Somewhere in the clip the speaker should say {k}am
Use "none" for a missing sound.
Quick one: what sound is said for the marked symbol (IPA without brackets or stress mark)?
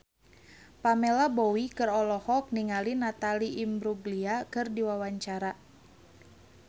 p